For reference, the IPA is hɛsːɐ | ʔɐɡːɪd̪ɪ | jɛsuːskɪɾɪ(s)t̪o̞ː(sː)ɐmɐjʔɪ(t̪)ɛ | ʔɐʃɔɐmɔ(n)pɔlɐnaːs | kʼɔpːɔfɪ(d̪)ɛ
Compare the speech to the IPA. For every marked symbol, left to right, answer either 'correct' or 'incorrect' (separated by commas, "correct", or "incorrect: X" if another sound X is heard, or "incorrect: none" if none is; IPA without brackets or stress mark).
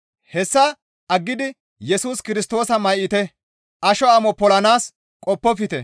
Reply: correct, incorrect: s, correct, incorrect: none, incorrect: t̪